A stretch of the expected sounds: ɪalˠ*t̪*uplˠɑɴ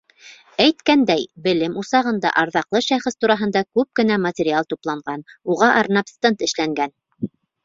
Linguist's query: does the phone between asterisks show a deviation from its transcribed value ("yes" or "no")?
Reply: no